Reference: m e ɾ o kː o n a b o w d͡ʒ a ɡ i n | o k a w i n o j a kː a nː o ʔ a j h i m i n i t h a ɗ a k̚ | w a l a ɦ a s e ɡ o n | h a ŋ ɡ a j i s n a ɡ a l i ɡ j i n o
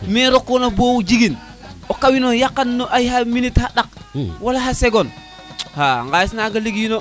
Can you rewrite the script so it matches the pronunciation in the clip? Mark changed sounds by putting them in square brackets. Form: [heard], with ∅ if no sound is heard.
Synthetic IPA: m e ɾ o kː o n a b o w d͡ʒ [i] ɡ i n | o k a w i n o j a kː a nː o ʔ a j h [a] m i n i t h a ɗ a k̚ | w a l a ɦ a s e ɡ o n | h a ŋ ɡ a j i s n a ɡ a l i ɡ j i n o